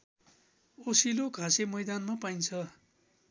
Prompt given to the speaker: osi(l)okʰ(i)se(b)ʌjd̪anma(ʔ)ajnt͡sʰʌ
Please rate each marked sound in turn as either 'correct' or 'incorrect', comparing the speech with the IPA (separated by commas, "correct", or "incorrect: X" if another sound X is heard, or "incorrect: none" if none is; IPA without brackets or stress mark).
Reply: correct, incorrect: a, incorrect: m, incorrect: p